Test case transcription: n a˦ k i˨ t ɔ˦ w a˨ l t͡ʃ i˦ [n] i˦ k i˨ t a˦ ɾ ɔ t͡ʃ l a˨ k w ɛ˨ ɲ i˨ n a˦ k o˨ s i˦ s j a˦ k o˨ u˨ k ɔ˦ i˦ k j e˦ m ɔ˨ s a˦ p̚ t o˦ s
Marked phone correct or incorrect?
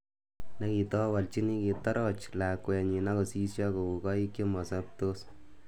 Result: correct